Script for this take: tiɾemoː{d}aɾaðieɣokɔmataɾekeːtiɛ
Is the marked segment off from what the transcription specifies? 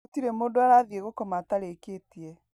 no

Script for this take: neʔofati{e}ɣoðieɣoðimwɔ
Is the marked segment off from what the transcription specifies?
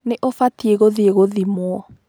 no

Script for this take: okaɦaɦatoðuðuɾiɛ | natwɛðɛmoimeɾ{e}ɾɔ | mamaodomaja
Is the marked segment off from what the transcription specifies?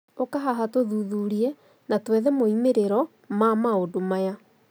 no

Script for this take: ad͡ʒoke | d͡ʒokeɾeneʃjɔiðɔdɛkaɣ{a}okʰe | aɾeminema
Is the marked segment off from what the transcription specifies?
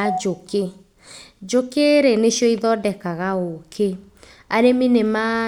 no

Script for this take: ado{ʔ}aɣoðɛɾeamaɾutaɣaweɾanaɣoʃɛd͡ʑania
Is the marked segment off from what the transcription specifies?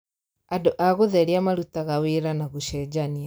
no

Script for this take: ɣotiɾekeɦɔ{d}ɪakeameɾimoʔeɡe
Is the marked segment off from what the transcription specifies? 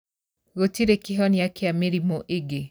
yes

